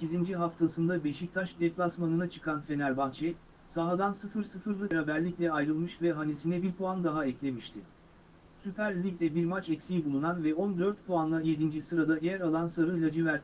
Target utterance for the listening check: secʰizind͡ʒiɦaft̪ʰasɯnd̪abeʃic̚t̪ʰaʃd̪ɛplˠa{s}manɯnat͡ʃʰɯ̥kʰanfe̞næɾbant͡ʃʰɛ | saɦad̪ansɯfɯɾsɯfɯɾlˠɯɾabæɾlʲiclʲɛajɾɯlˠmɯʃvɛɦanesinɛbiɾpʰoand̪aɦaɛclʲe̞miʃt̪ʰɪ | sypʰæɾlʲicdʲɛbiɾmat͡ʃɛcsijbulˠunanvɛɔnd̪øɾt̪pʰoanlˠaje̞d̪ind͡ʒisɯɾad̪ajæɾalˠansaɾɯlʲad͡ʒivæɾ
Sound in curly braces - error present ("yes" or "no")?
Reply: no